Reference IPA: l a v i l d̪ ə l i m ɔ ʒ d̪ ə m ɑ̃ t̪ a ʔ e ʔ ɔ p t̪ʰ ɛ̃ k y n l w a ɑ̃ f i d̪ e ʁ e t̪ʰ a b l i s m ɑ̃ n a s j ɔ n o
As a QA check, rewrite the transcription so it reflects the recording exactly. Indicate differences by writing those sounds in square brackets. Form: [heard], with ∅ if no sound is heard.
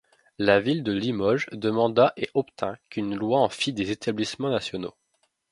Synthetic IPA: l a v i l d̪ ə l i m ɔ ʒ d̪ ə m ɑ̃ [d̪] a ʔ e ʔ ɔ p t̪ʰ ɛ̃ k y n l w a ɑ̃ f i d̪ e [z] e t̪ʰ a b l i s m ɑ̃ n a s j ɔ n o